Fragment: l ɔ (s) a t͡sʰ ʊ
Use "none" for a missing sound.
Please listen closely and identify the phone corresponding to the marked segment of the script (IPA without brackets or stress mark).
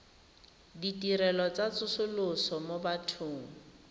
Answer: t͡s